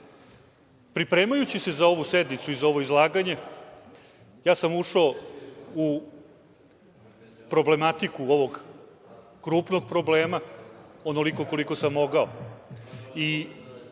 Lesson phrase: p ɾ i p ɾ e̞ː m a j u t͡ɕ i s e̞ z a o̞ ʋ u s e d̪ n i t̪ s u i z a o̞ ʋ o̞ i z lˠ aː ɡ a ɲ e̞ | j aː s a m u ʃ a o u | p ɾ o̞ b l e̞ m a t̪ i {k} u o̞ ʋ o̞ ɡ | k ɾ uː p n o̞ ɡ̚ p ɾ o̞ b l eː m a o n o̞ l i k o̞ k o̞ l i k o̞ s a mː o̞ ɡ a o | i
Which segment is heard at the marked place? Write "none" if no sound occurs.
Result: k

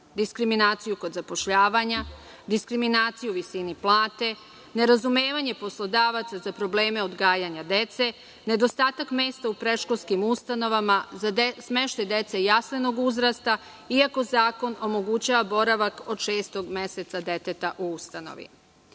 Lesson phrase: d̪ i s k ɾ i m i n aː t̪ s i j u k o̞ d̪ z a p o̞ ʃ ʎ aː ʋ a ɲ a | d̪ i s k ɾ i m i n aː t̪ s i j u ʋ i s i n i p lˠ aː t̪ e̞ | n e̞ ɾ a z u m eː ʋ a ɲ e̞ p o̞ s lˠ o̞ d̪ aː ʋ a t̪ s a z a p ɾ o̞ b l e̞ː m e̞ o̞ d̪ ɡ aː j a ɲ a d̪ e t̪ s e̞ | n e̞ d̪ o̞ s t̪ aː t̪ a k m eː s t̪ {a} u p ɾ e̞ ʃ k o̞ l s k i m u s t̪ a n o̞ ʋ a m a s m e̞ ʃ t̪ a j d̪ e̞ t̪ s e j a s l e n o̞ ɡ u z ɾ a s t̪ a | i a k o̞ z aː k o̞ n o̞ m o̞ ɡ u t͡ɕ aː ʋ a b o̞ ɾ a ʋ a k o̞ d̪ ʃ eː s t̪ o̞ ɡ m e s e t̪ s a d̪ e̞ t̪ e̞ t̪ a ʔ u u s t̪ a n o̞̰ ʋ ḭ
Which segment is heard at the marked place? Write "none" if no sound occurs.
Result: a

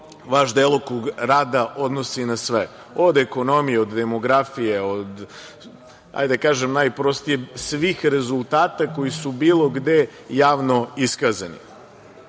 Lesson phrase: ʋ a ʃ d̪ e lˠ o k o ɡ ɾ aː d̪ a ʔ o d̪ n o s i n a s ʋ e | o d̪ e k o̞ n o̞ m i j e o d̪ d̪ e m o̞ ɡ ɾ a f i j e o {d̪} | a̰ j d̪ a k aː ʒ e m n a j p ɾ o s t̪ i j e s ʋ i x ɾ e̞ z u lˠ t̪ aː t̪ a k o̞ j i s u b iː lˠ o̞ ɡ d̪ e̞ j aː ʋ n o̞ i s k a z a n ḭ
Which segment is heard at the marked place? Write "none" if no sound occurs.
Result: d̪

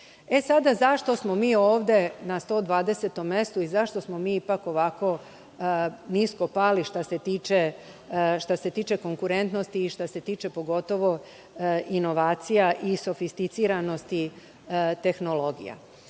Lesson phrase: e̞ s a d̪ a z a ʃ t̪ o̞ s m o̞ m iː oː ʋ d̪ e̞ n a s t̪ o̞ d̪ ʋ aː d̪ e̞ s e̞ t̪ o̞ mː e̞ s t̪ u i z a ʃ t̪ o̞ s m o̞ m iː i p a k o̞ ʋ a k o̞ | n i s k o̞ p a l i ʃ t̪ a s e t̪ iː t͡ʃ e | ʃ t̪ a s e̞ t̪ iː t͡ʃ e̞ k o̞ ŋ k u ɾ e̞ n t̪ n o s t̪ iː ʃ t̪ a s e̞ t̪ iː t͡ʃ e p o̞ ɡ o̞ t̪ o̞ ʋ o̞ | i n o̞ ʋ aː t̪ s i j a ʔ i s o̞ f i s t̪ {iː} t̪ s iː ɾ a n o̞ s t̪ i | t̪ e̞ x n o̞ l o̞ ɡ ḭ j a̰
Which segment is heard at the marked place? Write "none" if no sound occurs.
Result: i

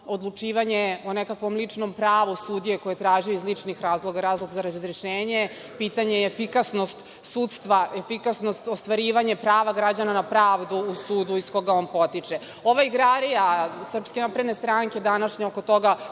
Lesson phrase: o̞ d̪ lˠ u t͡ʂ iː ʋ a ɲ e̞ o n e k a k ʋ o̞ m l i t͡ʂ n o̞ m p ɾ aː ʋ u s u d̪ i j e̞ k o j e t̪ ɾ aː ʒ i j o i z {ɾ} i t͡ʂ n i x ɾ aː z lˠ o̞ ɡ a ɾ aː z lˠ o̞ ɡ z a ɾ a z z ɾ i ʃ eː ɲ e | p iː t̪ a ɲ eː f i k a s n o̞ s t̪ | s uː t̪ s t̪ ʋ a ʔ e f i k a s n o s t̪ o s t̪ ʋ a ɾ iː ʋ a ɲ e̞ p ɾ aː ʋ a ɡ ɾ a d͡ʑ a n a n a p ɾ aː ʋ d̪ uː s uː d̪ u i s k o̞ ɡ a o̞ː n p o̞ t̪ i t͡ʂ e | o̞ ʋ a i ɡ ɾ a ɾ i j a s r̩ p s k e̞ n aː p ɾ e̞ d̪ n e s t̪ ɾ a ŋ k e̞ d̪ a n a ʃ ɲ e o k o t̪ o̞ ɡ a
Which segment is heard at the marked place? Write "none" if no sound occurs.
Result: l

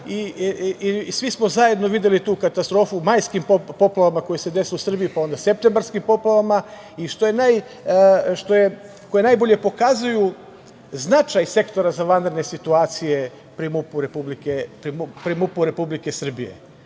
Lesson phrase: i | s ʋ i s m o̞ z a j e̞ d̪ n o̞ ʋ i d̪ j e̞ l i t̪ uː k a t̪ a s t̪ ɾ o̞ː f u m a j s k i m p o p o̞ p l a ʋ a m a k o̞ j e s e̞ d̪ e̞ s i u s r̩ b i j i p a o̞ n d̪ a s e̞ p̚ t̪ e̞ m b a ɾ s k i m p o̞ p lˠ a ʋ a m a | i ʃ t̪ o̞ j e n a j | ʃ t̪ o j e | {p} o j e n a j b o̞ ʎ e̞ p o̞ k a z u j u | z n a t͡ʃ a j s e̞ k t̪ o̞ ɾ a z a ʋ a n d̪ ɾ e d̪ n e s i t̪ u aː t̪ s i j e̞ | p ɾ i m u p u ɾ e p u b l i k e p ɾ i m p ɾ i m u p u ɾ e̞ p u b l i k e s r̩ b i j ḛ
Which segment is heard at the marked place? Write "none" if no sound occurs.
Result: k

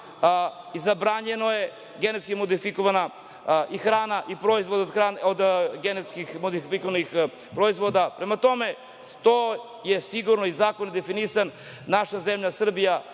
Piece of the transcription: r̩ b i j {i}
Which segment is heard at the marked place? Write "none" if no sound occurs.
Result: a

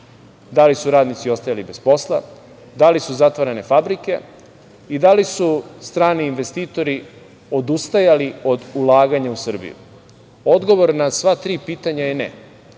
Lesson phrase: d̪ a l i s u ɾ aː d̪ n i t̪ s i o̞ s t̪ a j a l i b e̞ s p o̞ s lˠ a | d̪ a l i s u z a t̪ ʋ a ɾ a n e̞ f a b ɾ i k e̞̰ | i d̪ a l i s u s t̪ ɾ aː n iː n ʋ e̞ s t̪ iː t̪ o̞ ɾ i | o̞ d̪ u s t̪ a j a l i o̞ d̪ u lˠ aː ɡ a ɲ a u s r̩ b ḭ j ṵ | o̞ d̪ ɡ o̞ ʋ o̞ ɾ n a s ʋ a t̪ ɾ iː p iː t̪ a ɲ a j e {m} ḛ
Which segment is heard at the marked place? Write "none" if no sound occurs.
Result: n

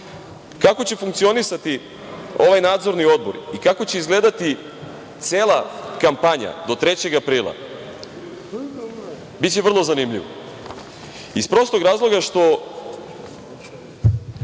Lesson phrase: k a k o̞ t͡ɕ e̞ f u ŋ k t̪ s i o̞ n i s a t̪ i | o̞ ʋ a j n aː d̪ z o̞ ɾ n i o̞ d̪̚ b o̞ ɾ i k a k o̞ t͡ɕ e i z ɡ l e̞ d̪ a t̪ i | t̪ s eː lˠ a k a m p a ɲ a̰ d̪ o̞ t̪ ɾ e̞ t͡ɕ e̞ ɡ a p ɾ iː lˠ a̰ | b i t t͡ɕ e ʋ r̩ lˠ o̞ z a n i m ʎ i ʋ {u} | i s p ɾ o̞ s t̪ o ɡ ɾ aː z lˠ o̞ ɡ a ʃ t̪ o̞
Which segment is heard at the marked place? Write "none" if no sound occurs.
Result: o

